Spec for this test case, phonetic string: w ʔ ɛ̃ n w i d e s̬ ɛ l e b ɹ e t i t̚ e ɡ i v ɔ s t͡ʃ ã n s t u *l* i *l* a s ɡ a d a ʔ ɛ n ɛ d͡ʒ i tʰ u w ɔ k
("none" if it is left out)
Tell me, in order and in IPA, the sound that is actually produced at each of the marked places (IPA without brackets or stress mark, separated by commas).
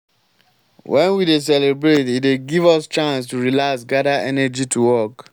ɹ, l